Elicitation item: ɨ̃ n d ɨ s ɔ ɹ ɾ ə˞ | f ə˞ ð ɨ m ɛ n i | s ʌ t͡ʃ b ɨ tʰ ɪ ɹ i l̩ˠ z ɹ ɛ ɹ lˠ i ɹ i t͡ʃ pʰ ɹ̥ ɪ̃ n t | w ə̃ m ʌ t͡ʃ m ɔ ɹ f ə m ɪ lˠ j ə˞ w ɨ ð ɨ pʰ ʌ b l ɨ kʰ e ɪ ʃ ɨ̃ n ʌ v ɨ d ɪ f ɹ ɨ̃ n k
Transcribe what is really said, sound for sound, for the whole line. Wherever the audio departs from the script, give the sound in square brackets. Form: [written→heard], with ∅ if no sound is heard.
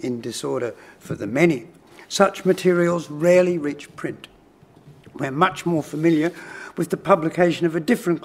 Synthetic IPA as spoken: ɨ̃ n d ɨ s ɔ ɹ ɾ ə˞ | f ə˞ ð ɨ m ɛ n i | s ʌ t͡ʃ [b→m] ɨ tʰ ɪ ɹ i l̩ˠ z ɹ ɛ ɹ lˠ i ɹ i t͡ʃ pʰ ɹ̥ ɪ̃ n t | w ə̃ m ʌ t͡ʃ m ɔ ɹ f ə m ɪ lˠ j ə˞ w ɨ ð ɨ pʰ ʌ b l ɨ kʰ e ɪ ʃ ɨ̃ n ʌ v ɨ d ɪ f ɹ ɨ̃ n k